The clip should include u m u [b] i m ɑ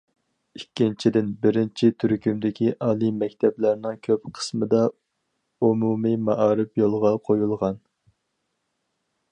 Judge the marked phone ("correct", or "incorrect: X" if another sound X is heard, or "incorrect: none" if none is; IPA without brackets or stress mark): incorrect: m